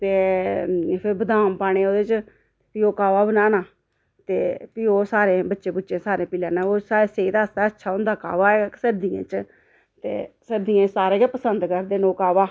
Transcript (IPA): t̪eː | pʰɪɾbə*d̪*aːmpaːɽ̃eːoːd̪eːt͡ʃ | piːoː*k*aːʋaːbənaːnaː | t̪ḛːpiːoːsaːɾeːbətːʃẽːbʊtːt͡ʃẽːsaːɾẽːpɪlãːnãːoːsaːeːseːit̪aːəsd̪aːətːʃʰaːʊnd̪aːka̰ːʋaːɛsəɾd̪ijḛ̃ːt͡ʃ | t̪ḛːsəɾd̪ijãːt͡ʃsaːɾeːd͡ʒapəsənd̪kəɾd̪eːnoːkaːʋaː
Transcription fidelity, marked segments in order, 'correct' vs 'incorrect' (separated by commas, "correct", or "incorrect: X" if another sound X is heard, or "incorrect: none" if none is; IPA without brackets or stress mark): correct, correct